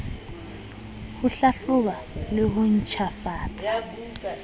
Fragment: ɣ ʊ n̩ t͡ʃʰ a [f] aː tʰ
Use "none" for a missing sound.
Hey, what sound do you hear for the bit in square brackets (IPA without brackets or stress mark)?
f